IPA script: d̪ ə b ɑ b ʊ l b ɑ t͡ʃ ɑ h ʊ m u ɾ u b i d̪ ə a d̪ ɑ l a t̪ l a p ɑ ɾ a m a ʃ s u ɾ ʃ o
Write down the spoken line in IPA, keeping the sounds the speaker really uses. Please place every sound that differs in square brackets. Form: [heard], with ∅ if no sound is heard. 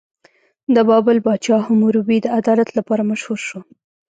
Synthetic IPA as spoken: d̪ ə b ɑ b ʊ l b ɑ t͡ʃ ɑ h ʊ m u ɾ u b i d̪ ə a d̪ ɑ l a t̪ l a p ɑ ɾ a m a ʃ [h] u ɾ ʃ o